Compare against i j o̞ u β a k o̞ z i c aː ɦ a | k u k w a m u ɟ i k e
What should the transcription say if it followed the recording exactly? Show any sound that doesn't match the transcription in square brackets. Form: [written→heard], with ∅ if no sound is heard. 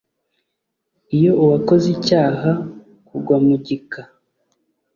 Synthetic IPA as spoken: i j o̞ u [β→w] a k o̞ z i c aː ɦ a | k u [k→ɡ] w a m u ɟ i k [e→a]

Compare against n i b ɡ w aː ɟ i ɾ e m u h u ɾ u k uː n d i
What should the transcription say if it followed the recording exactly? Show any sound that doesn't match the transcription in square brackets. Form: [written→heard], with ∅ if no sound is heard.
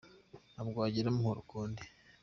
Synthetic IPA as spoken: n [i→a] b ɡ w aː ɟ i ɾ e m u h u ɾ u k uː n d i

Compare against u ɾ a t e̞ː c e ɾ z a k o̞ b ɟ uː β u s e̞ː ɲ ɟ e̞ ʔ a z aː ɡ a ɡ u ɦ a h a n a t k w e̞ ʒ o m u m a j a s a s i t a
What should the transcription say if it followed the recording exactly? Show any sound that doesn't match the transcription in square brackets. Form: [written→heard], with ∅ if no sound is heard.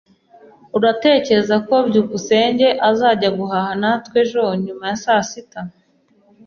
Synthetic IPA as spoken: u ɾ a t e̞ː c e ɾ z a k o̞ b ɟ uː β u s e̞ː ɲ ɟ e̞ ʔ a z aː [ɡ→ɟ] a ɡ u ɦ a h a n a t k w e̞ ʒ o [m→ɲ] u m a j a s a s i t a

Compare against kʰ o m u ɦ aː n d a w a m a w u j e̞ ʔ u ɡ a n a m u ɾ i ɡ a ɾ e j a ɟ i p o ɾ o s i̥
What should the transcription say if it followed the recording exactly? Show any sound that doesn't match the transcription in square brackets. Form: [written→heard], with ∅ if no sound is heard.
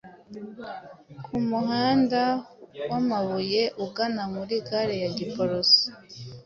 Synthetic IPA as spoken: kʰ [o→u] m u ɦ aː n d a w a m a [w→β] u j e̞ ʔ u ɡ a n a m u ɾ i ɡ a ɾ e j a ɟ i p o ɾ o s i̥

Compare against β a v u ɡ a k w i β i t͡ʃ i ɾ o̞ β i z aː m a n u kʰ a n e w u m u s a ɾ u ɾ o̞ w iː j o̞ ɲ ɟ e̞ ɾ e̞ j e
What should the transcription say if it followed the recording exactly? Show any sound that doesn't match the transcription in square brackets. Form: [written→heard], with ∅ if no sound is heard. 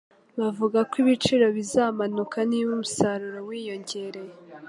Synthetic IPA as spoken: β a v u ɡ a k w i β i t͡ʃ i ɾ o̞ β i z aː m a n u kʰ a n [e→i] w u m u s a ɾ u ɾ o̞ w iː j o̞ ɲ ɟ e̞ ɾ e̞ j e

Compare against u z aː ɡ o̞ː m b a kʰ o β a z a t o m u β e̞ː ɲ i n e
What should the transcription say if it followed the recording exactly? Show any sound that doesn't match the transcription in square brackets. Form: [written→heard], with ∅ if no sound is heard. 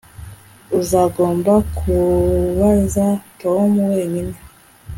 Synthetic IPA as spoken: u z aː ɡ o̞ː m b a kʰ [o→u] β a z a t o m u [β→w] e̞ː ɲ i n e

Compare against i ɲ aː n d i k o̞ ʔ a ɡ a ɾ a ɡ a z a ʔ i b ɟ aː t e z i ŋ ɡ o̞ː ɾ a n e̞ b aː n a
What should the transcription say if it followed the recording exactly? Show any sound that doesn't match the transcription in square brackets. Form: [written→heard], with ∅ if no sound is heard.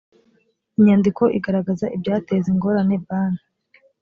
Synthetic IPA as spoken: i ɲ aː n d i k o̞ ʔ [a→i] ɡ a ɾ a ɡ a z a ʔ i b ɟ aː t e z i ŋ ɡ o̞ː ɾ a n e̞ b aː n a

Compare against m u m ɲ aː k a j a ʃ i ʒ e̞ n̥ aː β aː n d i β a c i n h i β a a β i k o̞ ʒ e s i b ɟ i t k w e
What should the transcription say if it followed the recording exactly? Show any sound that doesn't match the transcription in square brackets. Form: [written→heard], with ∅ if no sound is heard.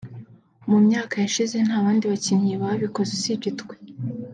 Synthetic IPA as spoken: m u m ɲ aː k a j a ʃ i [ʒ→z] e̞ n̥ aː β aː n d i β a c i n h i β a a β i k o̞ [ʒ→z] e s i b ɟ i t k w e

